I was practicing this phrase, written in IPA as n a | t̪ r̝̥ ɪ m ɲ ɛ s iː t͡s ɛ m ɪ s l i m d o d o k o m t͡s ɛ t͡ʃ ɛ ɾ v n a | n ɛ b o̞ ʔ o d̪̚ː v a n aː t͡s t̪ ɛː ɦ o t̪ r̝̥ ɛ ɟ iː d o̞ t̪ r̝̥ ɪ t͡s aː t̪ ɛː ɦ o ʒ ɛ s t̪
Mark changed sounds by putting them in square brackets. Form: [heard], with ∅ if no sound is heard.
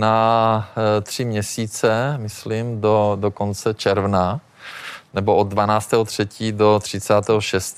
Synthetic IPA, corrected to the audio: n a | t̪ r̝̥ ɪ m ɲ ɛ s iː t͡s ɛ m ɪ s l i m d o d o k o [n] t͡s ɛ t͡ʃ ɛ ɾ v n a | n ɛ b o̞ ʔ o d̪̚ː v a n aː t͡s t̪ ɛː ɦ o t̪ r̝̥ ɛ [c] iː d o̞ t̪ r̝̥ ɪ t͡s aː t̪ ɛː ɦ o [ʃ] ɛ s t̪